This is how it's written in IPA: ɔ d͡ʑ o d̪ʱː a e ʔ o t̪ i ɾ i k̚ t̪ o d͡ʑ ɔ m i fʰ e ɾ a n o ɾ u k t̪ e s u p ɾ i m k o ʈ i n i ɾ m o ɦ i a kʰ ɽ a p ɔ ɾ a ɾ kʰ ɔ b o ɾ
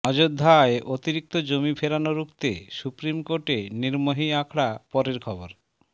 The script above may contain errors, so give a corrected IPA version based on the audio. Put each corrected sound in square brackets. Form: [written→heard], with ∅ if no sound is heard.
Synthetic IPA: ɔ d͡ʑ o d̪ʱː a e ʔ o t̪ i ɾ i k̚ t̪ o d͡ʑ [ɔ→o] m i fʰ e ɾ a n o ɾ u k t̪ e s u p ɾ i m k o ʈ [i→e] n i ɾ m o ɦ i a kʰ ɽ a p ɔ ɾ [a→e] ɾ kʰ ɔ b o ɾ